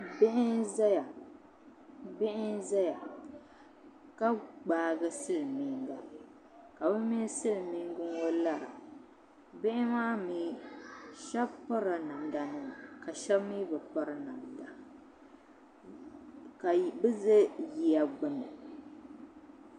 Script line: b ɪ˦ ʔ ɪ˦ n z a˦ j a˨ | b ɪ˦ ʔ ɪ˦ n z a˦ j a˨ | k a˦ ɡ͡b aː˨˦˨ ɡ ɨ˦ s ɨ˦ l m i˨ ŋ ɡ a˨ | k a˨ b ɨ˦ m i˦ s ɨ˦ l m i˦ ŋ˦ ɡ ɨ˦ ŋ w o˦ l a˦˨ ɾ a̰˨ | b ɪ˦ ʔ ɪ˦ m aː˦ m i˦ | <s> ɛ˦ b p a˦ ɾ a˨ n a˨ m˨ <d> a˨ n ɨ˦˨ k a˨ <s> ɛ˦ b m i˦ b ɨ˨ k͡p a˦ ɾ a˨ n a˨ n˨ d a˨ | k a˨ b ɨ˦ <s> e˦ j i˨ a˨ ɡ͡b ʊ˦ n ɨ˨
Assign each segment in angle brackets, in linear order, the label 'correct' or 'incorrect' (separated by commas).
incorrect, correct, incorrect, incorrect